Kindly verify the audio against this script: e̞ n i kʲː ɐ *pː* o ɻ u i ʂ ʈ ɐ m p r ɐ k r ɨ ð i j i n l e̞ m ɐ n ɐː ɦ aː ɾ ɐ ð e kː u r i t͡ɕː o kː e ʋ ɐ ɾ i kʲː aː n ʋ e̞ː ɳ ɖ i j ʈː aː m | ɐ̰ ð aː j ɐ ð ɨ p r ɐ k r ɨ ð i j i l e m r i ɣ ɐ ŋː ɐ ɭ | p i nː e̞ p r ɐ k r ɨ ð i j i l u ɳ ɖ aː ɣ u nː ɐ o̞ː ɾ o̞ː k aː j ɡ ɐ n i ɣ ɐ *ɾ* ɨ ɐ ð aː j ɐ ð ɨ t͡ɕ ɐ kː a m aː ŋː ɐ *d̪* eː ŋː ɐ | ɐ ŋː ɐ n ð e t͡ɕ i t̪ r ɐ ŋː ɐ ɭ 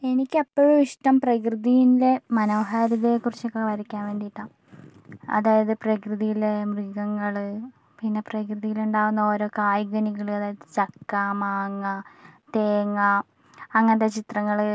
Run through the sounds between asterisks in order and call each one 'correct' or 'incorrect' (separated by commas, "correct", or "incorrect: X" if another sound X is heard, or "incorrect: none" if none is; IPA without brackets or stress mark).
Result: correct, incorrect: ɭ, incorrect: t̪